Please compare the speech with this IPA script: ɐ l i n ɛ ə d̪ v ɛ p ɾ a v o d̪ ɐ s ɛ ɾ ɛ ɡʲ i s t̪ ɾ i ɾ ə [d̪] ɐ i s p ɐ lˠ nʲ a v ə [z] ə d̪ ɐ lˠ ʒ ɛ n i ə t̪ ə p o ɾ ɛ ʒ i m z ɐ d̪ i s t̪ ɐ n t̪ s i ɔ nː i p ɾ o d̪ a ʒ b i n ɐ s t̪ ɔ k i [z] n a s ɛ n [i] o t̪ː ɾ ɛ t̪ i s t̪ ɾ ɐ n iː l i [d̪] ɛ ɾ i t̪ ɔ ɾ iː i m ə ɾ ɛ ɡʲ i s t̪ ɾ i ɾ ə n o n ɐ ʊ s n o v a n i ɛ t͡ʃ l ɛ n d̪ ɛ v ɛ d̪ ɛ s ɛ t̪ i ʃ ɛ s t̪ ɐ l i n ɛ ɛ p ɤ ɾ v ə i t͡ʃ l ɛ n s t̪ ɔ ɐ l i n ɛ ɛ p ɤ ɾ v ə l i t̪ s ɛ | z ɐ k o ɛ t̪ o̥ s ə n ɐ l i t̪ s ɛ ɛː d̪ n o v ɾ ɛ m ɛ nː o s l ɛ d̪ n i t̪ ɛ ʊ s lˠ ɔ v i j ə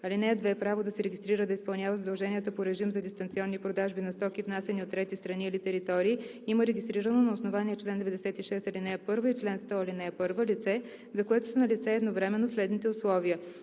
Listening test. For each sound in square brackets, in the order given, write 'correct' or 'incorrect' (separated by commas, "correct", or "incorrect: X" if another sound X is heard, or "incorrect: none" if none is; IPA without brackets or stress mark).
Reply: correct, correct, incorrect: v, correct, incorrect: t̪